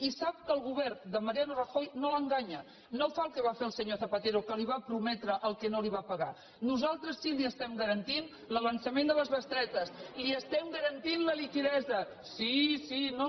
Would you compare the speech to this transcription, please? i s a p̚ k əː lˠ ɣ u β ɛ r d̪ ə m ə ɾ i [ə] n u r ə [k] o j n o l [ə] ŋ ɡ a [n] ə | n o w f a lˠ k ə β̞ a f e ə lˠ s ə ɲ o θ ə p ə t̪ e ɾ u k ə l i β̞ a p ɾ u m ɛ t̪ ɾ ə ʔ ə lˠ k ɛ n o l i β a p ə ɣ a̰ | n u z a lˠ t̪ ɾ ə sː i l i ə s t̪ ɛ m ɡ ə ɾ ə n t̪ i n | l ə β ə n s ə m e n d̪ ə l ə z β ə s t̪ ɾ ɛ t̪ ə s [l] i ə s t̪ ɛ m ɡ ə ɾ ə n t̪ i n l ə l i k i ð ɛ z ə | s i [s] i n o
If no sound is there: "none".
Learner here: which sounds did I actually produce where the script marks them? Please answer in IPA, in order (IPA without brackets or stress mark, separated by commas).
a, x, ə, ɲ, l, s